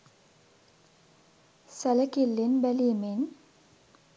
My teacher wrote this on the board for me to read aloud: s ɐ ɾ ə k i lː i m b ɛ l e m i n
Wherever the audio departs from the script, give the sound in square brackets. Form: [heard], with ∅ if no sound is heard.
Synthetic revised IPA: s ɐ [l] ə k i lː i [n] b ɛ l [i] m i n